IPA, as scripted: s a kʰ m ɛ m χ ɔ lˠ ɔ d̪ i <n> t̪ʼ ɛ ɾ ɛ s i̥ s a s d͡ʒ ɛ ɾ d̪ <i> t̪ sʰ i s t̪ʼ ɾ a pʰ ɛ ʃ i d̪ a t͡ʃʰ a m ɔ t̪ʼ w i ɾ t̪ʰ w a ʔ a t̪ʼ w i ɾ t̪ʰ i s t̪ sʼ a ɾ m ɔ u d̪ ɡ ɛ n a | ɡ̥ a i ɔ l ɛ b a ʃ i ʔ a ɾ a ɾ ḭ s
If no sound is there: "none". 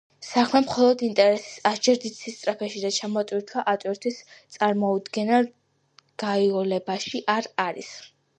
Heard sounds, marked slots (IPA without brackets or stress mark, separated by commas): n, i